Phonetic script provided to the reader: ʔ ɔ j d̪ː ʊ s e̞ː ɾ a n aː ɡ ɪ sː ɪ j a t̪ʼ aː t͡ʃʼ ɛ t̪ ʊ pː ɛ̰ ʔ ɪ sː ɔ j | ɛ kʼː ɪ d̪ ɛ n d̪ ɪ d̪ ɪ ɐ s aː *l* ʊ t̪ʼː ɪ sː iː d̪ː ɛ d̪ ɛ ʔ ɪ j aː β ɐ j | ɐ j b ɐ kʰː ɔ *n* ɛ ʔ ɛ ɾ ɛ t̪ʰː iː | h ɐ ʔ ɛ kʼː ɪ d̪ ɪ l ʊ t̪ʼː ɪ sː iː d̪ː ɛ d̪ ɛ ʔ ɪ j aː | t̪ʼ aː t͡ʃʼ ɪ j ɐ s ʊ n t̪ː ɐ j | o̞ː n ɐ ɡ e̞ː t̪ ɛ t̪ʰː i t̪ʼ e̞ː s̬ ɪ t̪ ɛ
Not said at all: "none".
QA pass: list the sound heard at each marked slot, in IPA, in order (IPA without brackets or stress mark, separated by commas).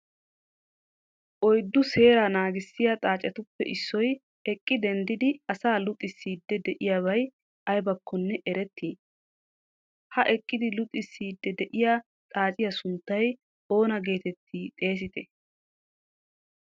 l, nː